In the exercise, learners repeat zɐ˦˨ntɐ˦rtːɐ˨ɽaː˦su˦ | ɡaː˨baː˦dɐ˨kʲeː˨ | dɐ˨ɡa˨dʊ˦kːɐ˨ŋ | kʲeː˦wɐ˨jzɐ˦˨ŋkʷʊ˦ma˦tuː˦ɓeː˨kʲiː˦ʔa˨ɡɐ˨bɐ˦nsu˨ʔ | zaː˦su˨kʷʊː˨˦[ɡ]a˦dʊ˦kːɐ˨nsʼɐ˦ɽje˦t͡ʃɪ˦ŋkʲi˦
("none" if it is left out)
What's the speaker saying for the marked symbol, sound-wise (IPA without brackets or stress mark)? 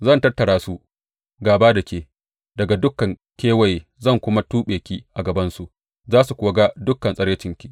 ɡ